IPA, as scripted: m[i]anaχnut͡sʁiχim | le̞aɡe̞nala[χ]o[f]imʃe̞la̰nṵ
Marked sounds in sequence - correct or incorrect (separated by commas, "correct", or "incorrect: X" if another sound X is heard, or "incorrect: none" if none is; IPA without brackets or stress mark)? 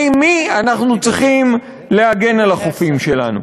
correct, correct, correct